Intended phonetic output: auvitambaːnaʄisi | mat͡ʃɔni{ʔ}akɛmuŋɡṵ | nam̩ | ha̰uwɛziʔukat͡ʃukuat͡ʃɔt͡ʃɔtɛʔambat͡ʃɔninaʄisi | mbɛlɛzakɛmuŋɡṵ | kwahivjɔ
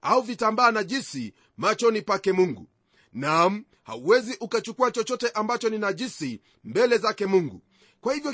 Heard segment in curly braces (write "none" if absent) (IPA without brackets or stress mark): p